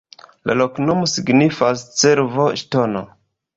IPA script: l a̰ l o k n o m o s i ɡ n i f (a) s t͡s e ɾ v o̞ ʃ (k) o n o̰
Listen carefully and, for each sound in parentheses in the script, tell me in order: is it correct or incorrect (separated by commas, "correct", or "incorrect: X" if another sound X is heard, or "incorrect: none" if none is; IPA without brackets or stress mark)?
correct, incorrect: t